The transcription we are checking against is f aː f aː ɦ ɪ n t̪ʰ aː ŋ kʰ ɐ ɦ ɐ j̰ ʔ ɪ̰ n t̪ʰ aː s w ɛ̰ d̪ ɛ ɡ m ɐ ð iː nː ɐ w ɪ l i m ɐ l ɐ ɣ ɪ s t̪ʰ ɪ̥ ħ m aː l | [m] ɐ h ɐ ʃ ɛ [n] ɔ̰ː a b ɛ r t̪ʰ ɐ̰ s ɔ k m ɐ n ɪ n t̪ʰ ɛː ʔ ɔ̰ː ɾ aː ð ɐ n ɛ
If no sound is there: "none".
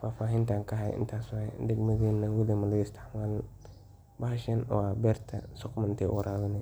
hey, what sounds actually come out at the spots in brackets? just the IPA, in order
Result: b, n

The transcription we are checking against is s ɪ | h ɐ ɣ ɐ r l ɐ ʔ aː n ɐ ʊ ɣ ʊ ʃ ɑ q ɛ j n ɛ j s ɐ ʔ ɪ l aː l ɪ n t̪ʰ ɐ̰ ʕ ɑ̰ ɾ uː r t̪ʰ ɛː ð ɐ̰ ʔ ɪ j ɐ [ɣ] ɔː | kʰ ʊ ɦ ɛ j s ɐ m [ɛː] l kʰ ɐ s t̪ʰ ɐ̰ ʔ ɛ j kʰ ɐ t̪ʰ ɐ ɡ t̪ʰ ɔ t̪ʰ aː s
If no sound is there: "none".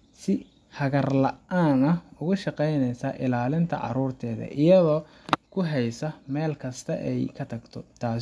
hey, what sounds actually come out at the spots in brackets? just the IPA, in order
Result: ð, ɛː

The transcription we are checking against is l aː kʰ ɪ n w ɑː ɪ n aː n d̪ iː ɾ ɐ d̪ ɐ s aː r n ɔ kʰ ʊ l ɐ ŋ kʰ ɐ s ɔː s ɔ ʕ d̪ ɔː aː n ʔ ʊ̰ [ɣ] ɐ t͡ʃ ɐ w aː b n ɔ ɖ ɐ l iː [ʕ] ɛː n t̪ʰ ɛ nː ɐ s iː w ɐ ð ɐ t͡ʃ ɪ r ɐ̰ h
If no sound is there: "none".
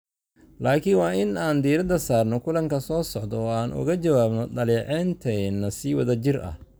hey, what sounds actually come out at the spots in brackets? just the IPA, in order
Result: ɣ, ʕ

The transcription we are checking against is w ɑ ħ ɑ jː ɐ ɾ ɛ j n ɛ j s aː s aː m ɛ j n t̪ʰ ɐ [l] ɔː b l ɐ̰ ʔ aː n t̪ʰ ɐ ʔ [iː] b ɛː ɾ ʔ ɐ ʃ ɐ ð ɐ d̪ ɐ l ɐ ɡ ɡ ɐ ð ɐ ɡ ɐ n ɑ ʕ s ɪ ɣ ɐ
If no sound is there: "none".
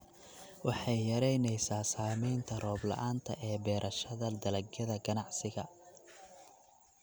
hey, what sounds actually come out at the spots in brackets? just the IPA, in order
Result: r, ɛː

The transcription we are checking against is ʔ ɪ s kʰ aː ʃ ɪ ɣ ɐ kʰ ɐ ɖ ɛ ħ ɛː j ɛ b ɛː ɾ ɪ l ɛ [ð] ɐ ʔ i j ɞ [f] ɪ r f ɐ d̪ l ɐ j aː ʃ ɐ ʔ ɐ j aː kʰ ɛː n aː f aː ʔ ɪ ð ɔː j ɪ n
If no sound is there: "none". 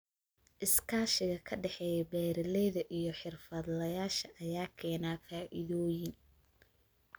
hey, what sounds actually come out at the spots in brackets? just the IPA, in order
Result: ð, ħ

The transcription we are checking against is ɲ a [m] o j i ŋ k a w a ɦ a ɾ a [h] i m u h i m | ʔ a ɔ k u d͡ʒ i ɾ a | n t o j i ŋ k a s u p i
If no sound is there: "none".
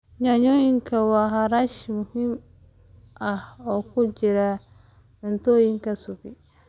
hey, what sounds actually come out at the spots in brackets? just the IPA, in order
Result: ɲ, ʃ

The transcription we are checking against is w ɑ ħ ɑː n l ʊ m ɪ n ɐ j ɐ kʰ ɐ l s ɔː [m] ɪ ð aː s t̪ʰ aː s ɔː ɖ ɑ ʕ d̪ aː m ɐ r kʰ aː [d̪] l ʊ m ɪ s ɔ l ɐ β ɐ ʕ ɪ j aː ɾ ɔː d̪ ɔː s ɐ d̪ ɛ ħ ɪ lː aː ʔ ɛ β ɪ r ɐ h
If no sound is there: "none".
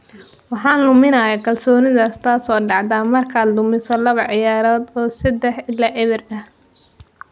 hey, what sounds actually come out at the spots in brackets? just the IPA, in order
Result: n, d̪

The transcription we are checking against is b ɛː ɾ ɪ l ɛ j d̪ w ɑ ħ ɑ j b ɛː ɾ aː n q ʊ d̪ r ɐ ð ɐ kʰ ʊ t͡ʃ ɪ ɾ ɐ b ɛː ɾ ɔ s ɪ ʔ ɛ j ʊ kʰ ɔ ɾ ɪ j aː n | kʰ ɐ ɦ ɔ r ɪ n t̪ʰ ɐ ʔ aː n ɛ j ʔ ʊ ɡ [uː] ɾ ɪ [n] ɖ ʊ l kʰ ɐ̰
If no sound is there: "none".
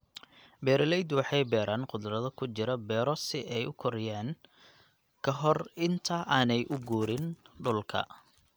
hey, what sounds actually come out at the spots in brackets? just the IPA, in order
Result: uː, n

